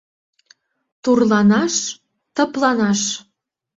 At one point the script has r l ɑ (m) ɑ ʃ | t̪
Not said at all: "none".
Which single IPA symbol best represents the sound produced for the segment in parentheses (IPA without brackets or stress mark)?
n